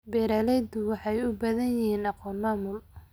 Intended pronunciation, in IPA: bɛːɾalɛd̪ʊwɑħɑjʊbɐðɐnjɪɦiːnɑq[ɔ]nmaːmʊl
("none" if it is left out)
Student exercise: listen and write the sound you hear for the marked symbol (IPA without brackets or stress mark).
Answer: ɔː